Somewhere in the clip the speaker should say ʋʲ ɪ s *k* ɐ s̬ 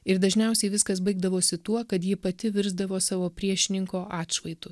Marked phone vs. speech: correct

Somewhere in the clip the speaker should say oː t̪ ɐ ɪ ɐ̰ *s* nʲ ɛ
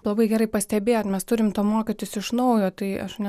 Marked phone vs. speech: incorrect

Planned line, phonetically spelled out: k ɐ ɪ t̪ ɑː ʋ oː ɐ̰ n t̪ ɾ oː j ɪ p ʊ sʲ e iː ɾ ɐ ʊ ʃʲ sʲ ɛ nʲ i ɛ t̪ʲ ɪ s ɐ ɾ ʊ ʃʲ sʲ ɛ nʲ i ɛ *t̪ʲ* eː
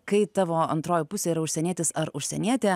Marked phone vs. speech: correct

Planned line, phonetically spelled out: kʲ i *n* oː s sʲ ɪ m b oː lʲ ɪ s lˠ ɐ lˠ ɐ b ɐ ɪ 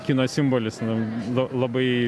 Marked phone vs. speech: correct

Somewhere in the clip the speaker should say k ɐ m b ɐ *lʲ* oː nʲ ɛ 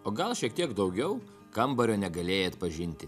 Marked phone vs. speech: incorrect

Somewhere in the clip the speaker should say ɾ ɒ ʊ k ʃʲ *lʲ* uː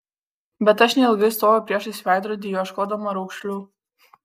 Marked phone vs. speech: correct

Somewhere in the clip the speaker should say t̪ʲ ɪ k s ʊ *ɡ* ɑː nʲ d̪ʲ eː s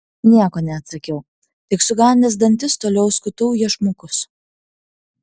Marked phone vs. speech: correct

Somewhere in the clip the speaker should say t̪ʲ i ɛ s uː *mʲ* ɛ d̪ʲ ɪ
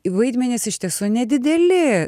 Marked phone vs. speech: incorrect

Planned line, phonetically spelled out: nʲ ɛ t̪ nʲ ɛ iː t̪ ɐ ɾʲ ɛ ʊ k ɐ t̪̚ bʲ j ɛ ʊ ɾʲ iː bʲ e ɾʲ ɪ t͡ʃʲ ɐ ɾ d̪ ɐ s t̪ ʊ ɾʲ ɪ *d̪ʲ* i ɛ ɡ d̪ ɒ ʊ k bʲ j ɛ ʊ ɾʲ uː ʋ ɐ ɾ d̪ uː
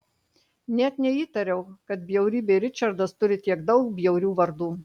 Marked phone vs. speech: incorrect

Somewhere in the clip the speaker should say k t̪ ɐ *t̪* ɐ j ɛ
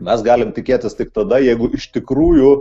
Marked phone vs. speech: incorrect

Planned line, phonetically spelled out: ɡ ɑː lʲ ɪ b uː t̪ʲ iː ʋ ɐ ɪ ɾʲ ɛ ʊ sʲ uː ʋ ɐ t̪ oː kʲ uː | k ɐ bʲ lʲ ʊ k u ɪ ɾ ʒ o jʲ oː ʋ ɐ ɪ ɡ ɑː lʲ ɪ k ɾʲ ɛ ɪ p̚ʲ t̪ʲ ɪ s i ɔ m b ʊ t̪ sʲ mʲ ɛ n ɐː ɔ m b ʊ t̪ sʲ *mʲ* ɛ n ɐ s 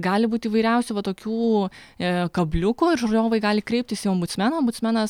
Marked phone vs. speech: correct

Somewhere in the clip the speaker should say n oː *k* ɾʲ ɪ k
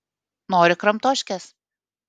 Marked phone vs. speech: incorrect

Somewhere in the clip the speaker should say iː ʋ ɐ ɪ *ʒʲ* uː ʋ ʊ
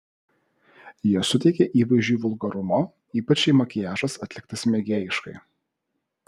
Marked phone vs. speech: correct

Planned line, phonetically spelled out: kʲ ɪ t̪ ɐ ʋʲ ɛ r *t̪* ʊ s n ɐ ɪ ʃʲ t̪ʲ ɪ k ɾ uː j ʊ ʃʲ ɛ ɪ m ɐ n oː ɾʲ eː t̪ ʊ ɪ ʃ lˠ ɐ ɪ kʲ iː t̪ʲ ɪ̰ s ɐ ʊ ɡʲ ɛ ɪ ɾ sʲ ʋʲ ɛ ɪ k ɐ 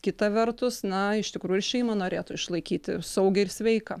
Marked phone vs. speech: correct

